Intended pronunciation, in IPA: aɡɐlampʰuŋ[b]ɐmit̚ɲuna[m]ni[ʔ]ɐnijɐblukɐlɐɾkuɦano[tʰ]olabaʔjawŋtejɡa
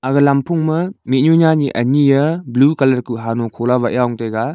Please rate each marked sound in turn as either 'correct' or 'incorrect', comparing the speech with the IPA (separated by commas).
incorrect, incorrect, correct, incorrect